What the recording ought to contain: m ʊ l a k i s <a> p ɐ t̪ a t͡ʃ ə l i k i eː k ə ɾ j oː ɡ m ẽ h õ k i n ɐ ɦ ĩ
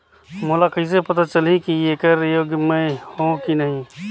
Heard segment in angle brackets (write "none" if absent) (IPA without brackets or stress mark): e